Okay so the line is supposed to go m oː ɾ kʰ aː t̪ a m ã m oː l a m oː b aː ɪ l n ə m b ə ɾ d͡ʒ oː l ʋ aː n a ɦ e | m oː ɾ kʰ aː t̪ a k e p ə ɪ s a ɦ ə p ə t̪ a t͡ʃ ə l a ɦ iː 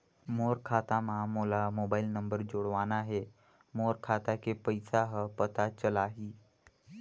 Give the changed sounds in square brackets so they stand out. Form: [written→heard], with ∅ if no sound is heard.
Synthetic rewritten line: m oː ɾ kʰ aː t̪ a m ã m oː l a m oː b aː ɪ l n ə m b ə ɾ d͡ʒ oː [l→ɽ] ʋ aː n a ɦ e | m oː ɾ kʰ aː t̪ a k e p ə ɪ s a ɦ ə p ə t̪ a t͡ʃ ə l a ɦ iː